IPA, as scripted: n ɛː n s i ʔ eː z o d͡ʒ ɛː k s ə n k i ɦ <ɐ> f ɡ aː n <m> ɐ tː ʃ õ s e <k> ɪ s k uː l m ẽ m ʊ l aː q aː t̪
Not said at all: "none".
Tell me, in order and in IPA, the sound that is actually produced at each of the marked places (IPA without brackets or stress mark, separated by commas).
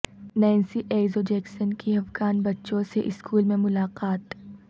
ɐ, b, ʔ